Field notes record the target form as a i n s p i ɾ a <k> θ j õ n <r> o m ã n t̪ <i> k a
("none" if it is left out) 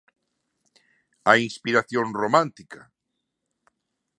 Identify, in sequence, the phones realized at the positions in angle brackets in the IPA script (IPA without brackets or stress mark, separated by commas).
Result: none, r, i